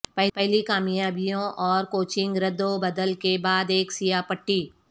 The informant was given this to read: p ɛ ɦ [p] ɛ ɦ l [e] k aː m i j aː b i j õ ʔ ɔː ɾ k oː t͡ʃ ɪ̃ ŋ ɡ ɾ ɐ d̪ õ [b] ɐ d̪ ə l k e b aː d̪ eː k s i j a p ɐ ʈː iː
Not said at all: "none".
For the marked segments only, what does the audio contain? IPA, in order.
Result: p, i, b

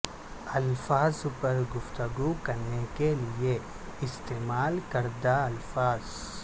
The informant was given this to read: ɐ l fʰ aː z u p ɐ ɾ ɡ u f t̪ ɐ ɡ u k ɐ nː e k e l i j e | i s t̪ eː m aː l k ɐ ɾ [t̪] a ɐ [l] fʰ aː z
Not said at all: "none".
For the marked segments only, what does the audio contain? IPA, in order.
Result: d̪, l

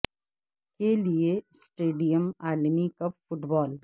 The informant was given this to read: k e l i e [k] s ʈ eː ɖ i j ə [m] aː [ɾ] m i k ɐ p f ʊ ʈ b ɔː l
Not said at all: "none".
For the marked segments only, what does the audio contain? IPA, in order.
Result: none, m, l

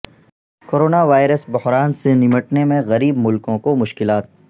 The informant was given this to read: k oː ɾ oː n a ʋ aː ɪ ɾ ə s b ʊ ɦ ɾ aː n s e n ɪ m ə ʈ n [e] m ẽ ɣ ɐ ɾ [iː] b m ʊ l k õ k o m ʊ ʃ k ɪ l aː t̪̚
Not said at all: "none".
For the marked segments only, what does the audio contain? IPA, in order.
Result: e, iː

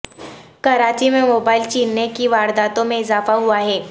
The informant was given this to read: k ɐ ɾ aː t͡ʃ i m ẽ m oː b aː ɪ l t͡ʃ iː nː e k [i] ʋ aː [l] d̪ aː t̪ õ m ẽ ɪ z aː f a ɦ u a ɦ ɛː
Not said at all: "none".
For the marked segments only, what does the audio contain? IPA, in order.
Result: i, ɾ

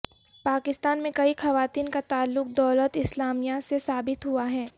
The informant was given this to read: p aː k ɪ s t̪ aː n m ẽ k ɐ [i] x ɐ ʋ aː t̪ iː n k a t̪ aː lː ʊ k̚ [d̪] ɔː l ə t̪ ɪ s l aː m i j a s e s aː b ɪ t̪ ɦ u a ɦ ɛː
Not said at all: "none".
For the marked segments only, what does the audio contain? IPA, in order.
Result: i, d̪

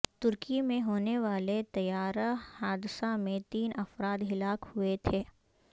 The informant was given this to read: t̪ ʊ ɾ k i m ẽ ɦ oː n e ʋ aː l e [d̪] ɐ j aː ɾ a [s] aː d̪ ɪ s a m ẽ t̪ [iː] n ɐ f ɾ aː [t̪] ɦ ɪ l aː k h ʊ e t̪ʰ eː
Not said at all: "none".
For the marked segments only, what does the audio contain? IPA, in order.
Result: t̪, h, iː, d̪

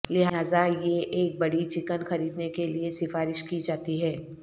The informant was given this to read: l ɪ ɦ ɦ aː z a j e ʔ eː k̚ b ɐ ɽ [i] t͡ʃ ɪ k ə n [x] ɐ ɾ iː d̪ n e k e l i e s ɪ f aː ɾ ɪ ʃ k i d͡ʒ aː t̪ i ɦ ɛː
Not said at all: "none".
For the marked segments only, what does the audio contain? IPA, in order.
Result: i, x

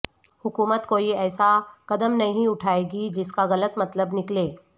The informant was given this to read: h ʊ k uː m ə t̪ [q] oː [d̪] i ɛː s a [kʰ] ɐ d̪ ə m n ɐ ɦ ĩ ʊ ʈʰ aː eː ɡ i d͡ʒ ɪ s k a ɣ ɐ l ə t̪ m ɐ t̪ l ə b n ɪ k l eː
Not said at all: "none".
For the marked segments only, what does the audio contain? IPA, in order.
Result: k, none, k

